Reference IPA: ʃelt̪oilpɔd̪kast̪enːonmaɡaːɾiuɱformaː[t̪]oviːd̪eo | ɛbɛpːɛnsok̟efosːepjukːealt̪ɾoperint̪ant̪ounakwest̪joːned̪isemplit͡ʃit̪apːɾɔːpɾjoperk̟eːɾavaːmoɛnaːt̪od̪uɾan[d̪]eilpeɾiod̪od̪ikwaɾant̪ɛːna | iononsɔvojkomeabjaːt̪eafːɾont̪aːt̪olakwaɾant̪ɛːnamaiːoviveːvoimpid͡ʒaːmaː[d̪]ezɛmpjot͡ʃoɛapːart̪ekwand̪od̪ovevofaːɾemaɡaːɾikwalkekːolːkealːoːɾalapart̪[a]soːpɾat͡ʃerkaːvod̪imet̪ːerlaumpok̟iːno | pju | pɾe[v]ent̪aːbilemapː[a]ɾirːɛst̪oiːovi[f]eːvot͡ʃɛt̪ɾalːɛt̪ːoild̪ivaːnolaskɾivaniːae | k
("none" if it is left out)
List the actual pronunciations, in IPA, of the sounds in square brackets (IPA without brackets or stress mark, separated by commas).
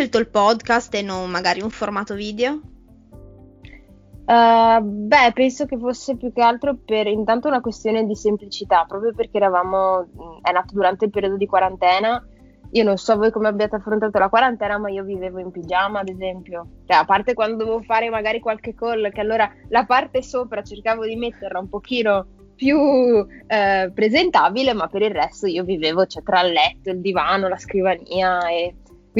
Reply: t̪, t̪, d̪, e, z, e, v